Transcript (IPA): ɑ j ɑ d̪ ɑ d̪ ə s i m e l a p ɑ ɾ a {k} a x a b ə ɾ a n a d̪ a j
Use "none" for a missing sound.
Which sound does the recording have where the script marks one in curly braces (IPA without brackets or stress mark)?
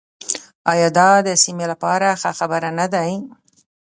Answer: x